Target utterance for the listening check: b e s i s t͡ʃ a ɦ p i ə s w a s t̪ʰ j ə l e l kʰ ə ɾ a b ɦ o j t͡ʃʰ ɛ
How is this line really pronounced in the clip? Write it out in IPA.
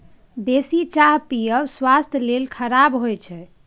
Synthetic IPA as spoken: b e s i t͡ʃ a ɦ p i ə s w a s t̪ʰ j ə l e l kʰ ə ɾ a b ɦ o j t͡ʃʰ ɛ